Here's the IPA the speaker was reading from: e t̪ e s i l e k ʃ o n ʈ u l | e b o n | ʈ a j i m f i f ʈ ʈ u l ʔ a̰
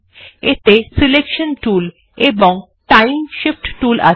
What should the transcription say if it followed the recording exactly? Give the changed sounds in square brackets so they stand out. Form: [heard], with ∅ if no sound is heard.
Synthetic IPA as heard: e t̪ e s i l e k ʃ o n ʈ u l | e b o [ŋ] | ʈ a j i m [ʃ] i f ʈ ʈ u l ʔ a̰